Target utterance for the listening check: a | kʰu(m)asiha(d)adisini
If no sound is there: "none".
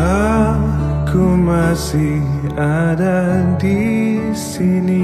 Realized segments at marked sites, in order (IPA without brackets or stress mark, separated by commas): m, d